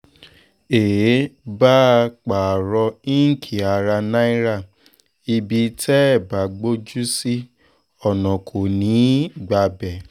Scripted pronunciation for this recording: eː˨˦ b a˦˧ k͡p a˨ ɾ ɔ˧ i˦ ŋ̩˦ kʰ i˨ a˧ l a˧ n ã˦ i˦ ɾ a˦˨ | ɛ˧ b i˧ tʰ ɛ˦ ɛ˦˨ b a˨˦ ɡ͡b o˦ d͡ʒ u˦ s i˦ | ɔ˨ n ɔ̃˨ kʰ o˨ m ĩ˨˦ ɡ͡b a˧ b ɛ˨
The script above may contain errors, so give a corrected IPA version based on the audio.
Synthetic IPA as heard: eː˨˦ b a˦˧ k͡p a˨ ɾ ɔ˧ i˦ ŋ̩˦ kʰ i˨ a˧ ɾ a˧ n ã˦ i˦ ɾ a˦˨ | i˧ b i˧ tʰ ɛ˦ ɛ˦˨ b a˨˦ ɡ͡b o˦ d͡ʒ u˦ s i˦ | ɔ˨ n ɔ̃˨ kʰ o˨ n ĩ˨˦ ɡ͡b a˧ b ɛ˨